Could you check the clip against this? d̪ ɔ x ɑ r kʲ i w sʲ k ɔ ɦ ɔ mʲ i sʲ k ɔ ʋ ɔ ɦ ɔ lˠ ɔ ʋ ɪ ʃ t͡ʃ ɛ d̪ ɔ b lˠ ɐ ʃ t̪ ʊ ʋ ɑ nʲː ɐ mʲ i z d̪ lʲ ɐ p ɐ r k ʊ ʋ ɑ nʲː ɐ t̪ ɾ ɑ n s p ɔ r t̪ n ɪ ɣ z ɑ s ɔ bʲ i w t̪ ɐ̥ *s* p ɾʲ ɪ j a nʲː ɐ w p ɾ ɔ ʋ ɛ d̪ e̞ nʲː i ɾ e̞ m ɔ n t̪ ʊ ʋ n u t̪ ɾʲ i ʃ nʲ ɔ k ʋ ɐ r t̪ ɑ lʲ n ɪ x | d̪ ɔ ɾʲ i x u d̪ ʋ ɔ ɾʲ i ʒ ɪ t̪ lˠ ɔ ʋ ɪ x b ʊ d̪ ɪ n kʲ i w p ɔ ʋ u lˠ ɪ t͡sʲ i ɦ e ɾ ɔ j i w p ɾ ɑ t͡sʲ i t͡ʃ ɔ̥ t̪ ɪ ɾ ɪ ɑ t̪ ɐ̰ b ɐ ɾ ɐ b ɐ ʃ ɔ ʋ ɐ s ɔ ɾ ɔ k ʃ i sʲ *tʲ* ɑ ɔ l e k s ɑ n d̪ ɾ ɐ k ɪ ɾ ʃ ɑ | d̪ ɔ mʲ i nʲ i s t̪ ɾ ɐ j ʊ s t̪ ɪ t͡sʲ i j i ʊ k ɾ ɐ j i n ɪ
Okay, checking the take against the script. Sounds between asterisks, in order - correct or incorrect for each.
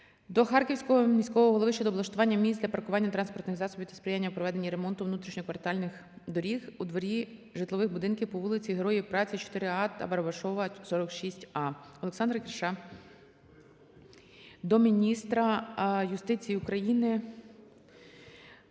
correct, correct

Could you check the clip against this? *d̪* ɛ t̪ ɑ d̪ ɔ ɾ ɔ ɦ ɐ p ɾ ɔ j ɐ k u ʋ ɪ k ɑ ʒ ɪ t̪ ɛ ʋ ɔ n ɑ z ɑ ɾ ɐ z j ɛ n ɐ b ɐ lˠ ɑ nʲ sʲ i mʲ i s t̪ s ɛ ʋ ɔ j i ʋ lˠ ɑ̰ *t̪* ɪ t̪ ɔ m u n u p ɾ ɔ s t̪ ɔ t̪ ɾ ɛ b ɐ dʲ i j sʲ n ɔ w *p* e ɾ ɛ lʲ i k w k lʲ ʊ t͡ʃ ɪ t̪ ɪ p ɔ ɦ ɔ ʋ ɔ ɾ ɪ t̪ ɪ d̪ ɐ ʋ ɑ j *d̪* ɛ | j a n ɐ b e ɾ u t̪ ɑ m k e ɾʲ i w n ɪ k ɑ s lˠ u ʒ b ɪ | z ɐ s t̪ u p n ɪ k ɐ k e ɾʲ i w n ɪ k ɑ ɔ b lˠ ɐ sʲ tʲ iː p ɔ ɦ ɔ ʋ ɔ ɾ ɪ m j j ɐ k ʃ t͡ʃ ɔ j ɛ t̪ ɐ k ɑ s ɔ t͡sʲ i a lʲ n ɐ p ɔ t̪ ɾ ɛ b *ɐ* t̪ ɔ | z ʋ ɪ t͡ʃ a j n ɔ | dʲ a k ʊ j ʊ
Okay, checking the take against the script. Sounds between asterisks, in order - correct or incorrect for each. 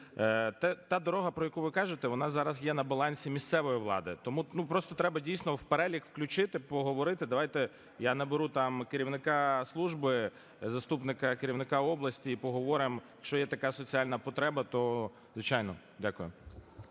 incorrect, incorrect, correct, incorrect, correct

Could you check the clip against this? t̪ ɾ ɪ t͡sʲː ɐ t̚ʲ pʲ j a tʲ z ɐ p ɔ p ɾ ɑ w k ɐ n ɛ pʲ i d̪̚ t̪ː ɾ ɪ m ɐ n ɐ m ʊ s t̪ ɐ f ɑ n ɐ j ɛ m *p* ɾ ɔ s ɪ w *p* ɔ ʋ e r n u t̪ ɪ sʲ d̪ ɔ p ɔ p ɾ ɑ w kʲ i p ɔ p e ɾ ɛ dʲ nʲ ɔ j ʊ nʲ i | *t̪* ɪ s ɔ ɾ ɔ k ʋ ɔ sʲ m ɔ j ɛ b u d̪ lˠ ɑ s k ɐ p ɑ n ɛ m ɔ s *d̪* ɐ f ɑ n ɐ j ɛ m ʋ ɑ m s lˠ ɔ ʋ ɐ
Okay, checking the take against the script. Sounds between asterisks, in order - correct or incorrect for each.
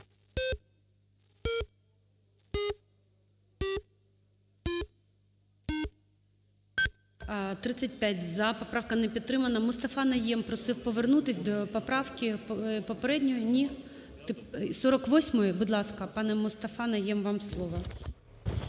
correct, correct, correct, incorrect

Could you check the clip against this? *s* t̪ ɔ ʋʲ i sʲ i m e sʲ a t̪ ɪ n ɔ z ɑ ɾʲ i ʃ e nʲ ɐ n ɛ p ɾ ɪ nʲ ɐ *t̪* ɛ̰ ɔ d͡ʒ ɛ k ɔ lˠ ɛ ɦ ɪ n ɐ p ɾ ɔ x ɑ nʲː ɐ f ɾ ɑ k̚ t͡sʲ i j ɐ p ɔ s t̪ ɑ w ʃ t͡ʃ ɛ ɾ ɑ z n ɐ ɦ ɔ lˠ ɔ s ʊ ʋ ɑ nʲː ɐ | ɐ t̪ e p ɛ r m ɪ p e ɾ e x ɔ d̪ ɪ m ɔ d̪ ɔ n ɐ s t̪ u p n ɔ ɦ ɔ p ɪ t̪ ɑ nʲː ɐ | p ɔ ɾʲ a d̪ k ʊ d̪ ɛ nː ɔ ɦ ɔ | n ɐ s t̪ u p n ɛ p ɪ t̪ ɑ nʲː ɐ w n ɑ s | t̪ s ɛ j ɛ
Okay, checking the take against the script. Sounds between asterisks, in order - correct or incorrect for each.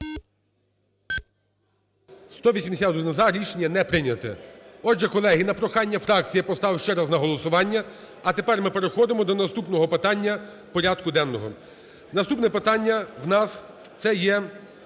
correct, correct

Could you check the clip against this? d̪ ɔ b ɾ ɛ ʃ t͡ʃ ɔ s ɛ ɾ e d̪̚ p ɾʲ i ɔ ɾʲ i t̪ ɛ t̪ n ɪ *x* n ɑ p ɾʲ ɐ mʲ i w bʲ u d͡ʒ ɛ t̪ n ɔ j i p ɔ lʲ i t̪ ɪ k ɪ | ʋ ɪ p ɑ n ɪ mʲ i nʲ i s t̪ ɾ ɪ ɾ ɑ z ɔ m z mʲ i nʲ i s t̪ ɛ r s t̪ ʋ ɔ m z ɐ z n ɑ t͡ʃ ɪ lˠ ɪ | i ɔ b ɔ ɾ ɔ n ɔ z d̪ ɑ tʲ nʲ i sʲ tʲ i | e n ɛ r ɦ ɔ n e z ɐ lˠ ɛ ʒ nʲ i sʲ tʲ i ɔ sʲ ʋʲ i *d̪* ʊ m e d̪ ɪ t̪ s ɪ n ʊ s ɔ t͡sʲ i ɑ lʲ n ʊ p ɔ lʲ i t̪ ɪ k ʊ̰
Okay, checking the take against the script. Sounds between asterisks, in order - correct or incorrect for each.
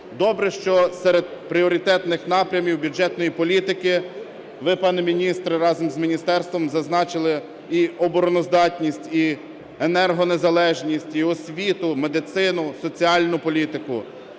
correct, incorrect

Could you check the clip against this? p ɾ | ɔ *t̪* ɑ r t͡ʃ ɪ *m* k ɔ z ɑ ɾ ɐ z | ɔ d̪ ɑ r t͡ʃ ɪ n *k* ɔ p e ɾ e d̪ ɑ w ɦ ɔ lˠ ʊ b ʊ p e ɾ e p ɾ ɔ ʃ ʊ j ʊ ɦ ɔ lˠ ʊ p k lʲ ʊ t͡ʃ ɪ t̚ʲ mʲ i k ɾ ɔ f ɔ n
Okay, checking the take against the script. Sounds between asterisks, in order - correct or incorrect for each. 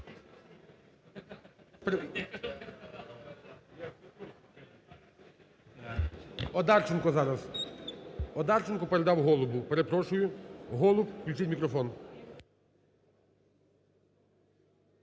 incorrect, incorrect, correct

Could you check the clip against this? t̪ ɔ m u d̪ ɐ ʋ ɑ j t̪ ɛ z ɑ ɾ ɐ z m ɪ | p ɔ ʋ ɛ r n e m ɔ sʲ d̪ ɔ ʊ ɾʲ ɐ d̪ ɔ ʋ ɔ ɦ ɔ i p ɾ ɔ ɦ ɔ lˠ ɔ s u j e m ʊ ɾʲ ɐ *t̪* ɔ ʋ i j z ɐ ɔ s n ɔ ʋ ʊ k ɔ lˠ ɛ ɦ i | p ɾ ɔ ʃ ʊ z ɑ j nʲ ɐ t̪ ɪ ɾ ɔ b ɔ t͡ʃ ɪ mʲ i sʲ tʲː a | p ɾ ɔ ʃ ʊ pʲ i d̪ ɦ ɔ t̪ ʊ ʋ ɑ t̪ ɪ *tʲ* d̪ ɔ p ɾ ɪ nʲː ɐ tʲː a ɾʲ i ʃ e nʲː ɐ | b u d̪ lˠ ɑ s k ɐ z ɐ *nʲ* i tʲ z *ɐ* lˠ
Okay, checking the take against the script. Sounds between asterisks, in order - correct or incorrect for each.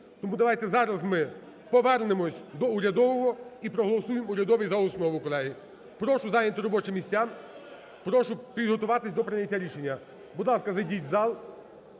incorrect, incorrect, incorrect, incorrect

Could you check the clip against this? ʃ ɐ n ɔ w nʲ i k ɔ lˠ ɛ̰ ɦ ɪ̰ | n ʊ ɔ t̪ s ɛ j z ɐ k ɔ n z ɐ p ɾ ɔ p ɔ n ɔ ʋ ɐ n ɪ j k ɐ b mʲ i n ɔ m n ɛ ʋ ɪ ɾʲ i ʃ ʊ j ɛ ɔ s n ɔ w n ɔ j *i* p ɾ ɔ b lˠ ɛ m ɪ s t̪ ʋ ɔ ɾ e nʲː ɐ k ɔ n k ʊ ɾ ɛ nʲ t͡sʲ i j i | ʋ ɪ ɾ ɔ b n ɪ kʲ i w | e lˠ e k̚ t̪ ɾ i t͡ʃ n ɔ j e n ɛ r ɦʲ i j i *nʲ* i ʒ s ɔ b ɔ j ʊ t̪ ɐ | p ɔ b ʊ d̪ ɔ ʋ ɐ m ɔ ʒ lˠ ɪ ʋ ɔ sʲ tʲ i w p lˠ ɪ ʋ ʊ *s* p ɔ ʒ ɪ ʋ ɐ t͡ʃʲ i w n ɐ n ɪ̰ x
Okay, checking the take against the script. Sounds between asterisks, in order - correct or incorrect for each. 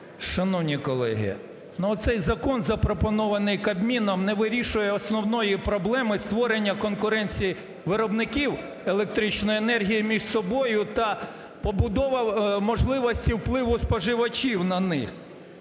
correct, incorrect, correct

